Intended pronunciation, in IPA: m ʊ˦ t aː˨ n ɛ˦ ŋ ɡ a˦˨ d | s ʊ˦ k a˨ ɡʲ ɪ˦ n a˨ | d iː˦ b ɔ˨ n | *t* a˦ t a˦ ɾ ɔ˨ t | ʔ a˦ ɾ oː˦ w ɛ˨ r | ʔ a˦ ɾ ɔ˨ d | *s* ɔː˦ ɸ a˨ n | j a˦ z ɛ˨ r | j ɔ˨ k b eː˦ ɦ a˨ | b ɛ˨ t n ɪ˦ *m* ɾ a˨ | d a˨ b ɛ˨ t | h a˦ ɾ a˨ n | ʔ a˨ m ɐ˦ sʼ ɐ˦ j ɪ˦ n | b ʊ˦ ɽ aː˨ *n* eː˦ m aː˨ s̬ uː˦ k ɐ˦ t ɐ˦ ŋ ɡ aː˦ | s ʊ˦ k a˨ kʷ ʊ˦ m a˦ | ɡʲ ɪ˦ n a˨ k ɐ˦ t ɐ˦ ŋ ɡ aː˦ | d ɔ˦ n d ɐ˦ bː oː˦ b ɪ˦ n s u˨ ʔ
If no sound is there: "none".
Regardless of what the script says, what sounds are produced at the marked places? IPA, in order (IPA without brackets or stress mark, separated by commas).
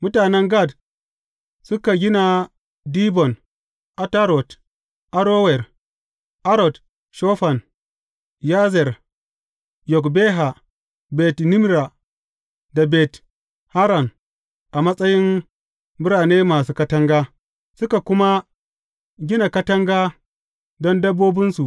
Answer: ʔ, ʃ, m, n